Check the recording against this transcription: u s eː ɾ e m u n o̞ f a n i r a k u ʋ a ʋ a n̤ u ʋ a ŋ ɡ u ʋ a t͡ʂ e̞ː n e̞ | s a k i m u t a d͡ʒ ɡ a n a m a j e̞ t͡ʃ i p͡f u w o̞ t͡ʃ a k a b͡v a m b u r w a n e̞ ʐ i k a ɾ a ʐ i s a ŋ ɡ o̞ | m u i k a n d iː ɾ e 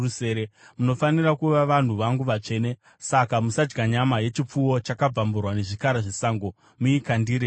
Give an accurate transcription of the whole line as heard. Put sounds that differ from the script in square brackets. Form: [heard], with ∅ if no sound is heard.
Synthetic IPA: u s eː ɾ e m u n o̞ f a n i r a k u ʋ a ʋ a n̤ u ʋ a ŋ ɡ u ʋ a t͡ʂ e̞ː n e̞ | s a k [a] m u [s] a d͡ʒ ɡ a [ɲ] a m a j e̞ t͡ʃ i p͡f u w o̞ t͡ʃ a k a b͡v a m b u r w a n e̞ ʐ i k a ɾ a ʐ i s a ŋ ɡ o̞ | m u i k a n d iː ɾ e